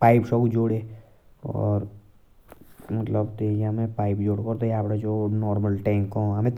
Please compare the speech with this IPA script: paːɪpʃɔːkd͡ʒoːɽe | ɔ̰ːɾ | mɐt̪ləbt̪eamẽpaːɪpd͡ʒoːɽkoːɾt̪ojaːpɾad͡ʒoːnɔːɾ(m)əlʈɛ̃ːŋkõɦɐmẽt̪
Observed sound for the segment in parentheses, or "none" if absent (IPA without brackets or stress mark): m